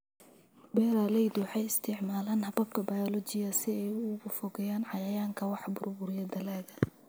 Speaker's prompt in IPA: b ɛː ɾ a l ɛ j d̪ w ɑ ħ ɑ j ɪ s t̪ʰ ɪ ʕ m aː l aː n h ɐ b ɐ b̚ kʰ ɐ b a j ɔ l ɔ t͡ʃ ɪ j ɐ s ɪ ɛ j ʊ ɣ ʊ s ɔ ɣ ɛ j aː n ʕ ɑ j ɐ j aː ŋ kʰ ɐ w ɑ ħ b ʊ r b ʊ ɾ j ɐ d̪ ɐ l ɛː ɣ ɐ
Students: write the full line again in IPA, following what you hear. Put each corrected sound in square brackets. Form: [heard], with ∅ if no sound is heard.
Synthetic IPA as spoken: b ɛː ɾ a l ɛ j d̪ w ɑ ħ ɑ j ɪ s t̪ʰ ɪ ʕ m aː l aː n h ɐ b ɐ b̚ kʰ ɐ b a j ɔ l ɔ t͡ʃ ɪ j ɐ s ɪ ɛ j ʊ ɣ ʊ [f] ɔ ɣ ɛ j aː n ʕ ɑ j ɐ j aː ŋ kʰ ɐ w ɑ ħ b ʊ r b ʊ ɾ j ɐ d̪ ɐ l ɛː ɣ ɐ